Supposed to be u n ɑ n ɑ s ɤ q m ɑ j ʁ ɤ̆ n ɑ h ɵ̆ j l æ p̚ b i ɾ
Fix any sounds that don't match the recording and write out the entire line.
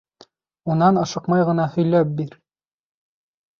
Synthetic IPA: u n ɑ n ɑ ʃ ɤ q m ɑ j ʁ ɤ̆ n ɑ h ɵ̆ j l æ p̚ b i ɾ